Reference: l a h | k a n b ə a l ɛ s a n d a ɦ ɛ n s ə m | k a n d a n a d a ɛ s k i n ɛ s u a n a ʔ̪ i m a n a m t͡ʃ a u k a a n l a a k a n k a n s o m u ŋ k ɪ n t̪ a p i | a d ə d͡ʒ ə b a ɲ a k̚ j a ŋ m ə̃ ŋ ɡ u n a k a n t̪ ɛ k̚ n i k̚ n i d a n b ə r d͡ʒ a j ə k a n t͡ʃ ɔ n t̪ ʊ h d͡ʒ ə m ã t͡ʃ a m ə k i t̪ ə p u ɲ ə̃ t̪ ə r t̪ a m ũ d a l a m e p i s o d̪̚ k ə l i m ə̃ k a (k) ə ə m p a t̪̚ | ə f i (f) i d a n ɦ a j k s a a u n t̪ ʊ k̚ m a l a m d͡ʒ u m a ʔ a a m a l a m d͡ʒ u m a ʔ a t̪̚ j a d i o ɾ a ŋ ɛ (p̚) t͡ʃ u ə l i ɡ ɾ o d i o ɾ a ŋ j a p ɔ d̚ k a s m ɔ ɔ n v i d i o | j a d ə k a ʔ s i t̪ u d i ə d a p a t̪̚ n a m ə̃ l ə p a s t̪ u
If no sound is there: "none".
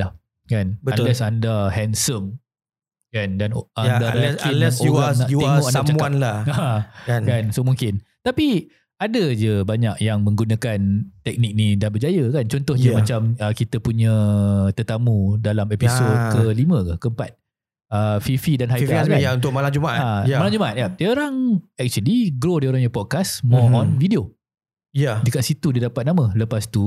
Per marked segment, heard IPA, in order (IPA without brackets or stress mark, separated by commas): k, f, k̚